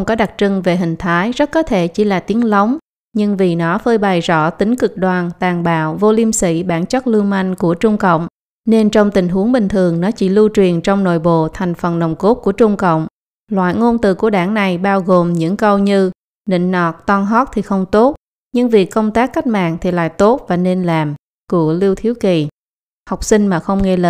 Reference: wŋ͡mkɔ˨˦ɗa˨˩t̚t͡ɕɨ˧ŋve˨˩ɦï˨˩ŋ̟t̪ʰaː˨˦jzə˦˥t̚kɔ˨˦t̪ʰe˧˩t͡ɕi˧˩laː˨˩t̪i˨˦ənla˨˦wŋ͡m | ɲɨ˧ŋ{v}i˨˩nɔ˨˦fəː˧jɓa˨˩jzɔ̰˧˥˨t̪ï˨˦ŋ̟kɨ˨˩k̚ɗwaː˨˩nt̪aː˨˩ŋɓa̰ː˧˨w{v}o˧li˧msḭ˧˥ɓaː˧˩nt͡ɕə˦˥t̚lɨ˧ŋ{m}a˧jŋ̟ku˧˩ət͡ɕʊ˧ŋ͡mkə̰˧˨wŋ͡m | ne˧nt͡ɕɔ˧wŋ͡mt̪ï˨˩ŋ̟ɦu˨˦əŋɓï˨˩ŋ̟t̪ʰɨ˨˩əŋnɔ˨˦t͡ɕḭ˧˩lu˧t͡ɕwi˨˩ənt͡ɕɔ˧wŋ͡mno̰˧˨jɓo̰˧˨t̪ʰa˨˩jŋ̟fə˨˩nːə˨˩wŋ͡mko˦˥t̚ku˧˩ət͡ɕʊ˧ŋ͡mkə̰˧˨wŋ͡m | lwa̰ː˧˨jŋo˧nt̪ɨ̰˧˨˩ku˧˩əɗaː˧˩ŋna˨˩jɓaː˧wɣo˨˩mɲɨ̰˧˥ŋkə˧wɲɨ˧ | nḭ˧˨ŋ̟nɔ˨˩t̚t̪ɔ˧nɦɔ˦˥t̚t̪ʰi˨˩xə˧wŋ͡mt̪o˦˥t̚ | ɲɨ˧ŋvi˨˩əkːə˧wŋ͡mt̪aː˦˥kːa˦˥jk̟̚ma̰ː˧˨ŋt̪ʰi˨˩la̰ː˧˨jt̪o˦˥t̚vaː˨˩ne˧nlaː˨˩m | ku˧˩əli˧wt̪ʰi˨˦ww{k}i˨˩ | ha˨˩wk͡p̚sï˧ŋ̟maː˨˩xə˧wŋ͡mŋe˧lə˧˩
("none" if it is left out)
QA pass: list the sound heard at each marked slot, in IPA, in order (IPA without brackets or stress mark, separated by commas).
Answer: v, v, m, k